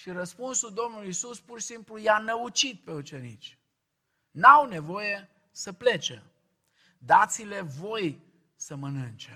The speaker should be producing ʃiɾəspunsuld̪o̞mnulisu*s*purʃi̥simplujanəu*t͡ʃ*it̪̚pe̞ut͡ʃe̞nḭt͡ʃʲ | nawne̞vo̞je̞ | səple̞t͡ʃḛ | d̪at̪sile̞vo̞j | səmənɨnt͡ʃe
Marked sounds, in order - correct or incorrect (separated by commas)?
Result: correct, correct